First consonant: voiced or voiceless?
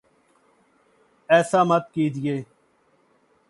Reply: voiceless